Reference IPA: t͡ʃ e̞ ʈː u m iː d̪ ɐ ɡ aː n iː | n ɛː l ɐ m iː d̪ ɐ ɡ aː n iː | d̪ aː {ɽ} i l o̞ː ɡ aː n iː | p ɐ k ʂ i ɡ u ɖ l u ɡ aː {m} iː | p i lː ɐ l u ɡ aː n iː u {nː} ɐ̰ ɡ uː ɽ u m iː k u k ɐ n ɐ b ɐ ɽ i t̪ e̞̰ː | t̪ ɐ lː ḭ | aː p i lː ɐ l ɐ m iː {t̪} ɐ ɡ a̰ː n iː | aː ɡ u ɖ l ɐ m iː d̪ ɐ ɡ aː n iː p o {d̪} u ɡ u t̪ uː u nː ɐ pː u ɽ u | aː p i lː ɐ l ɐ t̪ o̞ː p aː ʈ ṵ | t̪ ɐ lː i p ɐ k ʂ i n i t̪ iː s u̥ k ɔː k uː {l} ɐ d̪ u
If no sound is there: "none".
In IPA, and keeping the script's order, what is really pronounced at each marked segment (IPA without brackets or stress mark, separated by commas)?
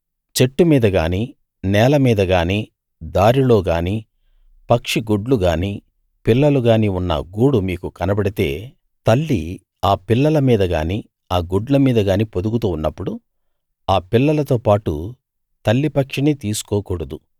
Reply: ɾ, n, nː, d̪, d̪, ɽ